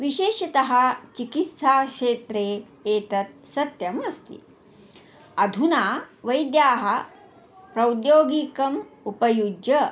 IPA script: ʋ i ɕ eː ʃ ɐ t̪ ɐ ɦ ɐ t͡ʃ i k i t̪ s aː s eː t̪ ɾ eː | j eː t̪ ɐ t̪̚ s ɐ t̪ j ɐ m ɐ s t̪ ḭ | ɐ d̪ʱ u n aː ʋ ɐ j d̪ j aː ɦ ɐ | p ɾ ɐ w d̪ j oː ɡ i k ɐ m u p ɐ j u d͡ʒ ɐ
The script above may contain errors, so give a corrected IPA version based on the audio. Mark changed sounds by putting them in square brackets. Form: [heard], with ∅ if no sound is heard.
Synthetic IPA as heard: ʋ i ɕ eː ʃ ɐ t̪ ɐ ɦ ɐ t͡ʃ i k i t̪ s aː [ʂ] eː t̪ ɾ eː | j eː t̪ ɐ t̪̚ s ɐ t̪ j ɐ m ɐ s t̪ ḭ | ɐ d̪ʱ u n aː ʋ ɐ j d̪ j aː ɦ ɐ | p ɾ ɐ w d̪ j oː ɡ i k ɐ m u p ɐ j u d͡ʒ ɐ

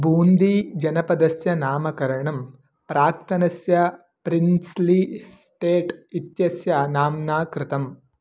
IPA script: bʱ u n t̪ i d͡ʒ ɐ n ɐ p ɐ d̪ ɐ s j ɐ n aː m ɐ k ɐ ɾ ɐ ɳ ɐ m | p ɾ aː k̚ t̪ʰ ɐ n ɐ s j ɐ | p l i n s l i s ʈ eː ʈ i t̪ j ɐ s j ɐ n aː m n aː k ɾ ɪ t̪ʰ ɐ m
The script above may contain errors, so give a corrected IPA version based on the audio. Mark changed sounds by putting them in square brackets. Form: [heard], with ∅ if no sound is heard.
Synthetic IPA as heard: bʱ [uː] n [d̪] i d͡ʒ ɐ n ɐ p ɐ d̪ ɐ s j ɐ n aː m ɐ k ɐ ɾ ɐ ɳ ɐ m | p ɾ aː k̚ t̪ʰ ɐ n ɐ s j ɐ | p [ɾ] i n s l i s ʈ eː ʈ i t̪ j ɐ s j ɐ n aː m n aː k ɾ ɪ [t̪] ɐ m

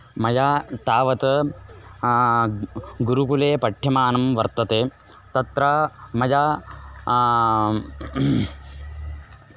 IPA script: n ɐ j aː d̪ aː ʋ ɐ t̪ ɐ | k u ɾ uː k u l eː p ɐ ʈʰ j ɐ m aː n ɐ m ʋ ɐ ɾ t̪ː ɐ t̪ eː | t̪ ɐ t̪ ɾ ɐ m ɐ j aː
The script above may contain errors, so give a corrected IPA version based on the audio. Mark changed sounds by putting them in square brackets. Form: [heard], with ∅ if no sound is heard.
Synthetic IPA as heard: [m] ɐ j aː [t̪] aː ʋ ɐ t̪ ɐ | [ɡ] u ɾ [u] k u l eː p ɐ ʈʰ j ɐ m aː n ɐ m ʋ ɐ ɾ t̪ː ɐ t̪ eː | t̪ ɐ t̪ ɾ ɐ m ɐ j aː

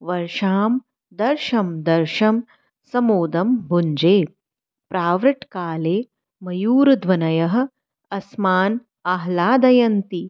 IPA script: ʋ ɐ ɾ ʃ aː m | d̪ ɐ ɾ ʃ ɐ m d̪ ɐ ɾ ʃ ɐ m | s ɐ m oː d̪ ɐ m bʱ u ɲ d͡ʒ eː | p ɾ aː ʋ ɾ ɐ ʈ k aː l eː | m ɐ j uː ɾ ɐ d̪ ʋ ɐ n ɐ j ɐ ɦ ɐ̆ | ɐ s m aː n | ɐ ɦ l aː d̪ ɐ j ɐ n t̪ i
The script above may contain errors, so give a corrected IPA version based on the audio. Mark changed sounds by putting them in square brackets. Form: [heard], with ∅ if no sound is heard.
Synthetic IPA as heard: ʋ ɐ ɾ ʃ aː m | d̪ ɐ ɾ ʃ ɐ m d̪ ɐ ɾ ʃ ɐ m | s ɐ m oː d̪ ɐ m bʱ u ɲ d͡ʒ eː | p ɾ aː ʋ ɾ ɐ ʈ k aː l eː | m ɐ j uː ɾ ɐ d̪ ʋ ɐ n ɐ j ɐ ɦ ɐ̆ | ɐ s m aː n | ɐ ɦ l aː d̪ ɐ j ɐ n t̪ i

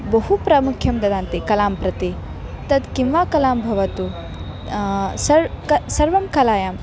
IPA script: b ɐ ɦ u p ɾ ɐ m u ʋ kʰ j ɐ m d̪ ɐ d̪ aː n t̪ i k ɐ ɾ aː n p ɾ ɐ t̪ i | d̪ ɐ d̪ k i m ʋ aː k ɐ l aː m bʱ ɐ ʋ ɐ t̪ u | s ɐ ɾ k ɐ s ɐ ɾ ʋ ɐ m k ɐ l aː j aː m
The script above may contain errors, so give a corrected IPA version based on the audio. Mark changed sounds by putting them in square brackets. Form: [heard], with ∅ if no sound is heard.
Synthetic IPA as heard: b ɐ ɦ u p ɾ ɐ m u [∅] kʰ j ɐ m d̪ ɐ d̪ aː n t̪ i k ɐ [l] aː [m] p ɾ ɐ t̪ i | [t̪] ɐ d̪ k i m ʋ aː k ɐ l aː m bʱ ɐ ʋ ɐ t̪ u | s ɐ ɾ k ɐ s ɐ ɾ ʋ ɐ m k ɐ l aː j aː m

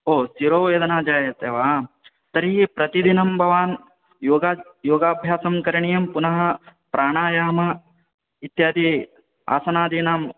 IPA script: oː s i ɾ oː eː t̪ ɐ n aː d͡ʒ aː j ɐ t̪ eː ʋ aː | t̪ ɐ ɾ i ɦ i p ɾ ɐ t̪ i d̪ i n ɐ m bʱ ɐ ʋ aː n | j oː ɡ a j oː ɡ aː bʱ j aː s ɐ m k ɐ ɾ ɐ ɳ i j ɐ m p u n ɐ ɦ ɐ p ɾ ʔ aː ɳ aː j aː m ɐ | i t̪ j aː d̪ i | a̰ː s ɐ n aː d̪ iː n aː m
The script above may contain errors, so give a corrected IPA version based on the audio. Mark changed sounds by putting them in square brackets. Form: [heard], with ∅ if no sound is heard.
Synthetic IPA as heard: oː s i ɾ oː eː [d̪] ɐ n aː d͡ʒ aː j ɐ t̪ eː ʋ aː | t̪ ɐ ɾ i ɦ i p ɾ ɐ t̪ i d̪ i n ɐ m bʱ ɐ ʋ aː n | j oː ɡ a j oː ɡ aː bʱ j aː s ɐ m k ɐ ɾ ɐ ɳ i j ɐ m p u n ɐ ɦ ɐ p ɾ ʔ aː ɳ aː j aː m ɐ | i t̪ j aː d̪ i | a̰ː s ɐ n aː d̪ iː n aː m

